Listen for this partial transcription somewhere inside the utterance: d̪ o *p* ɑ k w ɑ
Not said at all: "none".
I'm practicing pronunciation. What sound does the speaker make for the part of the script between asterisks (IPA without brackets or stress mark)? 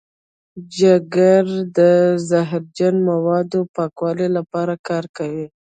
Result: p